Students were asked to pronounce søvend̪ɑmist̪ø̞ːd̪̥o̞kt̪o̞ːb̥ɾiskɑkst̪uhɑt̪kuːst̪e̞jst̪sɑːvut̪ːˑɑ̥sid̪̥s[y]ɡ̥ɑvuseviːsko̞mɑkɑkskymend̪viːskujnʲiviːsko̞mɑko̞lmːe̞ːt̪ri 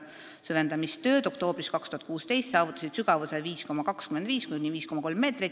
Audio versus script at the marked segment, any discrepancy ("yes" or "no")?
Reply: no